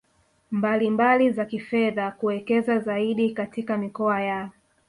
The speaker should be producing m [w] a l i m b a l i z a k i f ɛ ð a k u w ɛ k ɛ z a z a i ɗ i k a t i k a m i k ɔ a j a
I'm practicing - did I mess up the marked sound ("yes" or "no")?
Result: yes